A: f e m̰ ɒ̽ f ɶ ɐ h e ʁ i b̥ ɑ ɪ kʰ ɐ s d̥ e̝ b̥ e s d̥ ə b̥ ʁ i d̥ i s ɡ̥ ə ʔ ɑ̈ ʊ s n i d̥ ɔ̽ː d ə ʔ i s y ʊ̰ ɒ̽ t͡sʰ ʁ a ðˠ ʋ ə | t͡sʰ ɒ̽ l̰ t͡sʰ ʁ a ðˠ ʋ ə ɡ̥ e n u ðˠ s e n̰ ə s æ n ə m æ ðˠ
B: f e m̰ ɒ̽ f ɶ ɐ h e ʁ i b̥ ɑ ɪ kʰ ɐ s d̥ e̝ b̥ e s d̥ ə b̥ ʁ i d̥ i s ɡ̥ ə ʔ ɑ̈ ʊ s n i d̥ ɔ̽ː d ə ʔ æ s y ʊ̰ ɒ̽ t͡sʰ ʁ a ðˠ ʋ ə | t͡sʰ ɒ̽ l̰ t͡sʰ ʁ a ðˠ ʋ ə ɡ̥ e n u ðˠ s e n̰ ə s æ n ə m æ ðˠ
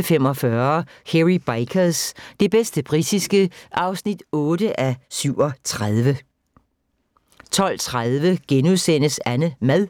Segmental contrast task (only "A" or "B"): B